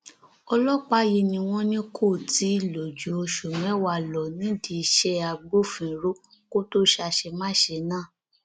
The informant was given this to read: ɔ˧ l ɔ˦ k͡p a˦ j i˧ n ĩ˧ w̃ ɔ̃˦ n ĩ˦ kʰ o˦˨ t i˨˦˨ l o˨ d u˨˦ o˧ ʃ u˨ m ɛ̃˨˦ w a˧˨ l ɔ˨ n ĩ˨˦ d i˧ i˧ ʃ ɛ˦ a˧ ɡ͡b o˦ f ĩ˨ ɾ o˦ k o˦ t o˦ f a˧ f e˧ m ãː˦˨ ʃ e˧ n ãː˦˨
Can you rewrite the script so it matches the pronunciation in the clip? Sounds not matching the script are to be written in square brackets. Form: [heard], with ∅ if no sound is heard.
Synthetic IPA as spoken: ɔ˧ l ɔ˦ k͡p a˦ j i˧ n ĩ˧ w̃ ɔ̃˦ n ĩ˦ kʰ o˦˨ t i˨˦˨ l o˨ [d͡ʒ] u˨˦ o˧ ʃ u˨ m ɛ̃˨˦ w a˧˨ l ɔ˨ n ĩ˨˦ d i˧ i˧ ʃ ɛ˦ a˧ ɡ͡b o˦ f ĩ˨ ɾ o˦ k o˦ t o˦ [ʃ] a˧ [ʃ] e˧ m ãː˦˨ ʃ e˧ n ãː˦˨